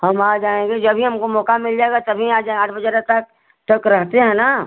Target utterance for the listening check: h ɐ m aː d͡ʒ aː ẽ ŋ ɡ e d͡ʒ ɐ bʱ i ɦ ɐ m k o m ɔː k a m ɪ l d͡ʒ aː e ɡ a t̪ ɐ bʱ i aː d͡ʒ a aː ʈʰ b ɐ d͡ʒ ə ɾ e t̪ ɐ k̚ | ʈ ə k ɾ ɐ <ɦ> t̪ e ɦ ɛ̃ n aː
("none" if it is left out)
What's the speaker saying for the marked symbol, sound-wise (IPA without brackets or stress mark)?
ɦ